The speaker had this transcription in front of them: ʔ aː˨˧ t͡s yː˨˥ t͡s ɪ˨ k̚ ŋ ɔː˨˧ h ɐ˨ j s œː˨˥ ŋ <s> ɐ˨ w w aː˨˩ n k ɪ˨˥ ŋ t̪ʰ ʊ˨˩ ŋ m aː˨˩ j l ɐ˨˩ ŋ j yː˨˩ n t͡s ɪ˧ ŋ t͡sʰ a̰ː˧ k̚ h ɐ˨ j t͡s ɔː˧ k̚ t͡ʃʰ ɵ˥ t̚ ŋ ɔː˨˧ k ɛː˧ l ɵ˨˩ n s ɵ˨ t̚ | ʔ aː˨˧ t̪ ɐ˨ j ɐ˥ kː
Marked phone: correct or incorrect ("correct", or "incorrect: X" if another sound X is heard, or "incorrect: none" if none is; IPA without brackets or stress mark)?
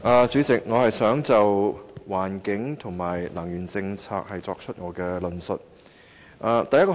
incorrect: t͡s